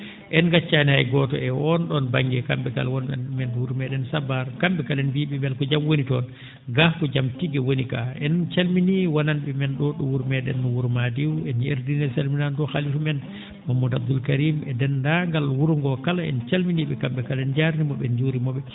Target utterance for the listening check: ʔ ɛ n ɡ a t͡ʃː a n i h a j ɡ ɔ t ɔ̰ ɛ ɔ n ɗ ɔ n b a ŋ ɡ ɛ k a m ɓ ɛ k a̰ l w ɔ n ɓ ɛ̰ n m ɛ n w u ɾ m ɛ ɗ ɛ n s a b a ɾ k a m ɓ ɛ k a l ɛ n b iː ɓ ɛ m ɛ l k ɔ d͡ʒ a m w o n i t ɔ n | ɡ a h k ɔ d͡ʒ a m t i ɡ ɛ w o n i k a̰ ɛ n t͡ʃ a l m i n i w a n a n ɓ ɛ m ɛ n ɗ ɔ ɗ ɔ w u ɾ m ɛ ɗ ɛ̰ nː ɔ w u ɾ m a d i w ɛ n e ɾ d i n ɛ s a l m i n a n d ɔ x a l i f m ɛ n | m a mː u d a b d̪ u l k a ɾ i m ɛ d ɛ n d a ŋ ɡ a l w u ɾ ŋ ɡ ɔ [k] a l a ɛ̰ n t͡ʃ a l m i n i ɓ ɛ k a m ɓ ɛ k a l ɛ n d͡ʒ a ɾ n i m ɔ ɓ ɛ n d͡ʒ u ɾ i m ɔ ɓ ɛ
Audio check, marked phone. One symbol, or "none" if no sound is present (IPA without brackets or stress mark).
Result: k